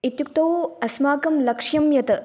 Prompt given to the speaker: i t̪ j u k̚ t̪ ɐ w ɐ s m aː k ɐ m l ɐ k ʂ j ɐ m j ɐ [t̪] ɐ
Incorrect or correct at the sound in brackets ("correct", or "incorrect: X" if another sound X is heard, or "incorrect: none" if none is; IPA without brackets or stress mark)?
correct